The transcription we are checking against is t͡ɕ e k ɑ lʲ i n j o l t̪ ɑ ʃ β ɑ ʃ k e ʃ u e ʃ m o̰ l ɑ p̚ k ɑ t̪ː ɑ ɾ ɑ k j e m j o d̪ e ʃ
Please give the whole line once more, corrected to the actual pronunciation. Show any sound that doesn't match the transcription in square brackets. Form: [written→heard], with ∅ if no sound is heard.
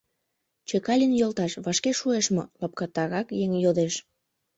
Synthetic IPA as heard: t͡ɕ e k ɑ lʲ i n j o l t̪ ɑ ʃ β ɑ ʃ k e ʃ u e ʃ m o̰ l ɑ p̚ k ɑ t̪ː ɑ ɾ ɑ k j e [m→ŋ] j o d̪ e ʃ